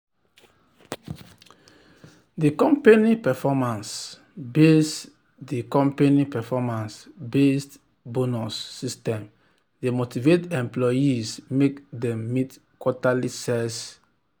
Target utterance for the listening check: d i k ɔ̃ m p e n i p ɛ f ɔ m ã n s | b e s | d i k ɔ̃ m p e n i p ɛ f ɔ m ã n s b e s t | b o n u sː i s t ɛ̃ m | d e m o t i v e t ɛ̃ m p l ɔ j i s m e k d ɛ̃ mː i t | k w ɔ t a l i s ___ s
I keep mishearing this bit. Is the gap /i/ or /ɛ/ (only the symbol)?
ɛ